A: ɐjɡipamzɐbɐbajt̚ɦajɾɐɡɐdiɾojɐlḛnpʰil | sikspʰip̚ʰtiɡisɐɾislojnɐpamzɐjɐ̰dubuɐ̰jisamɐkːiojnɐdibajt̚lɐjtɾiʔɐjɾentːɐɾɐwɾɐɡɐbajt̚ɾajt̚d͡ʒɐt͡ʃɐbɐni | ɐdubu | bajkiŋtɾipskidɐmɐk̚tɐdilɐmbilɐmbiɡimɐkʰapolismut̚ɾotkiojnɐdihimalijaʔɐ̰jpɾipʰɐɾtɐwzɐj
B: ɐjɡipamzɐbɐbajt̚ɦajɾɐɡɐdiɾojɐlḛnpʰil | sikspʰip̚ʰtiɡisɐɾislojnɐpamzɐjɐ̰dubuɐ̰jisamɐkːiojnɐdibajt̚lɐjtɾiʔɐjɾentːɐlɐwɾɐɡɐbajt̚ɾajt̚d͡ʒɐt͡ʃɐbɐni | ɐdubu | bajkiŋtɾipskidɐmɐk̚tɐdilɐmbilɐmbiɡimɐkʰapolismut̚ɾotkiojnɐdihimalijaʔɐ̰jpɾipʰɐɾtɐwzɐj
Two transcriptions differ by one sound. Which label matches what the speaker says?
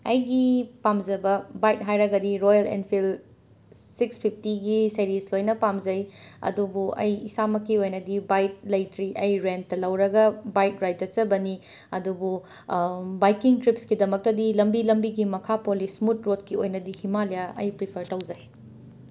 B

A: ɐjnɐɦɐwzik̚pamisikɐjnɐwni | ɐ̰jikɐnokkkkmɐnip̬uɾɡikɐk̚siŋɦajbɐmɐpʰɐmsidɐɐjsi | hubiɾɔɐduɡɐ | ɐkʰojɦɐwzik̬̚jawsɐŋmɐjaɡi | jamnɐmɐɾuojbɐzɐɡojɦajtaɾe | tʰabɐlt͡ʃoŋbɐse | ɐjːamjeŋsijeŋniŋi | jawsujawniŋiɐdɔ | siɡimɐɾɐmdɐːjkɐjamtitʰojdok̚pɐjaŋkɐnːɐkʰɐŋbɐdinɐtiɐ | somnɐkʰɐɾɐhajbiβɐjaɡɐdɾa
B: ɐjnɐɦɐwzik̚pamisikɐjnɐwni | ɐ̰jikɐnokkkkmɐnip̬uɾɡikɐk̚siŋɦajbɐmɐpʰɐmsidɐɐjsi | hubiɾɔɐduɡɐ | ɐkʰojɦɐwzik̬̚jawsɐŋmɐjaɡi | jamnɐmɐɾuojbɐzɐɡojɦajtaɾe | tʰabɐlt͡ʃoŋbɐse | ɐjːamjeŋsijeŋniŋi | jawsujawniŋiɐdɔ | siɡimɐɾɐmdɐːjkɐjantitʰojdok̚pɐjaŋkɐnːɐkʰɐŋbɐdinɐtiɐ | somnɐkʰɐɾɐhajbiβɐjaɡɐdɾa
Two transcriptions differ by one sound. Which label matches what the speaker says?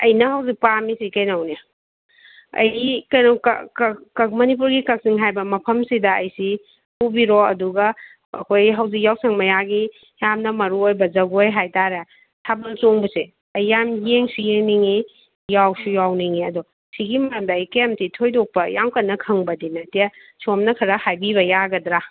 A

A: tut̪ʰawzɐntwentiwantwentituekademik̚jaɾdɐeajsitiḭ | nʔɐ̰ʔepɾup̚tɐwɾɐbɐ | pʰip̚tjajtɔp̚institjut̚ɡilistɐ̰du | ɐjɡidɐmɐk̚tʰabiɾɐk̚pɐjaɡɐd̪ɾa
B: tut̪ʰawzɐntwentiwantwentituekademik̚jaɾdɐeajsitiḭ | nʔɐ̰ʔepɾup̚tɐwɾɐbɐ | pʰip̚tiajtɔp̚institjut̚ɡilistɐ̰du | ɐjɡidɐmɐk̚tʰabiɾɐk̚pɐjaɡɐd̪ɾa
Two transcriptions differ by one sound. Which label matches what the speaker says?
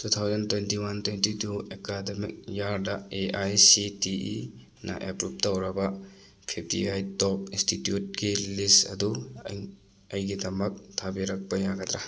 B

